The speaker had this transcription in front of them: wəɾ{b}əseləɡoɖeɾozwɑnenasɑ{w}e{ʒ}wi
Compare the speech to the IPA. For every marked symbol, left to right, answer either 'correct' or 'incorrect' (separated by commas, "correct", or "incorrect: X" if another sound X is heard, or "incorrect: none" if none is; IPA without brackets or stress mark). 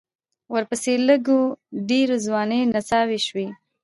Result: incorrect: p, correct, incorrect: ʃ